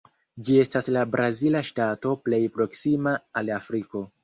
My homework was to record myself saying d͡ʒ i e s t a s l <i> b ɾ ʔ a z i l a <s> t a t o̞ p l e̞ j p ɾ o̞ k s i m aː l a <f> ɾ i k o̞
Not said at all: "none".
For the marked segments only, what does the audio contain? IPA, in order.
a, ʃ, f

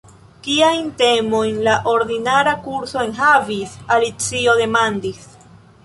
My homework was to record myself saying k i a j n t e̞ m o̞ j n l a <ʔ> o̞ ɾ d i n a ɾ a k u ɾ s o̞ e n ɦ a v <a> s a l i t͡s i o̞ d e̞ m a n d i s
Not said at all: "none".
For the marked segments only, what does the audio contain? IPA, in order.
ʔ, i

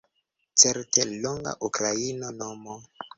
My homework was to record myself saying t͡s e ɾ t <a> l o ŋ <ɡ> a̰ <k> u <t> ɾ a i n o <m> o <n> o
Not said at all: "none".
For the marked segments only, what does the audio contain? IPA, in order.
e, ɡ, ʔ, k, n, m

